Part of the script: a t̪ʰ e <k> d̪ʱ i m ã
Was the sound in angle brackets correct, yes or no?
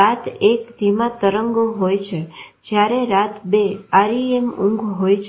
yes